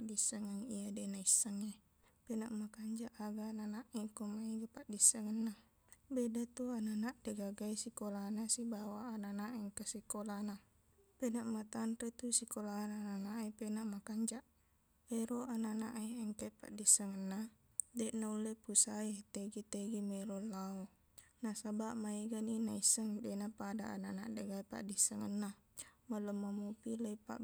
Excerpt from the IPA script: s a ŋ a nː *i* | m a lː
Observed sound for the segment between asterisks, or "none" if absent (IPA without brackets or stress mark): a